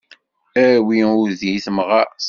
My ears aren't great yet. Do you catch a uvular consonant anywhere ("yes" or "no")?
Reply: yes